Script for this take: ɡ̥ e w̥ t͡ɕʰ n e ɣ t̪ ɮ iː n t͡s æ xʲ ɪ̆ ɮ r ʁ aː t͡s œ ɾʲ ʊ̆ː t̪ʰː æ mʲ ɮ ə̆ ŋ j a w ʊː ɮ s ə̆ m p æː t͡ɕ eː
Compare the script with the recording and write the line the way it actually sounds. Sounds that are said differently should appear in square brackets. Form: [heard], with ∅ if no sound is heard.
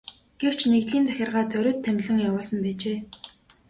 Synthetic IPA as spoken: ɡ̥ e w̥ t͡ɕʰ n e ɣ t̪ ɮ iː n t͡s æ xʲ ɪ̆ [∅] r ʁ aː t͡s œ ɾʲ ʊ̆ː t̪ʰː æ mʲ ɮ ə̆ ŋ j a w ʊː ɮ s ə̆ m p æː t͡ɕ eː